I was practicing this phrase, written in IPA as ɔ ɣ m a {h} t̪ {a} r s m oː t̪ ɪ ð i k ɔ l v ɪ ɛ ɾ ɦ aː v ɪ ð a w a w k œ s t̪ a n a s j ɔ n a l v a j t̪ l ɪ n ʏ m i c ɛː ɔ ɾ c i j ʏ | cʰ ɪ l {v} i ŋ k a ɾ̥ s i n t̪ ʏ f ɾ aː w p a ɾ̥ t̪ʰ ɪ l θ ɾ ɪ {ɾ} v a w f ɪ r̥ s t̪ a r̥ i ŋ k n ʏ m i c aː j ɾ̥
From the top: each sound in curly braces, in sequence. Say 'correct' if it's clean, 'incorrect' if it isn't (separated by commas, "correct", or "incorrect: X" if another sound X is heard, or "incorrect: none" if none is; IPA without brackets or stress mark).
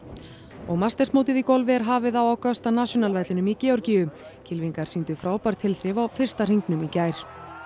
incorrect: s, incorrect: ɛ, correct, incorrect: none